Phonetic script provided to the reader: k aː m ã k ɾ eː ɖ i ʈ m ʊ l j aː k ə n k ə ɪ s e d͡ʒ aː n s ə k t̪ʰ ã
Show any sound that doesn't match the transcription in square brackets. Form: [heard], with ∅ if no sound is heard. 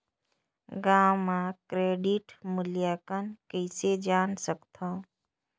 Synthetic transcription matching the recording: [ɡ] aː m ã k ɾ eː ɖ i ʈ m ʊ l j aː k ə n k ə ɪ s e d͡ʒ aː n s ə k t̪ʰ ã